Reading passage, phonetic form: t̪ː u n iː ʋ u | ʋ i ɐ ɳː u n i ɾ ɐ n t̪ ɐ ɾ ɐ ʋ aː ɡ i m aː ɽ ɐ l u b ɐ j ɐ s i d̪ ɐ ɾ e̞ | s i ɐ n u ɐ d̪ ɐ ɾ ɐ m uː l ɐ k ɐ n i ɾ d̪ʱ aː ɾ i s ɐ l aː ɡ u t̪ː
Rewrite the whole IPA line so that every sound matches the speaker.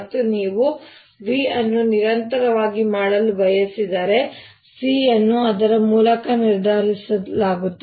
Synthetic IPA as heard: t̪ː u n iː ʋ u | ʋ i ɐ nː u n i ɾ ɐ n t̪ ɐ ɾ ɐ ʋ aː ɡ i m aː ɽ ɐ l u b ɐ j ɐ s i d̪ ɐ ɾ e̞ | s i ɐ nː u ɐ d̪ ɐ ɾ ɐ m uː l ɐ k ɐ n i ɾ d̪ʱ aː ɾ i s ɐ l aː ɡ u t̪ː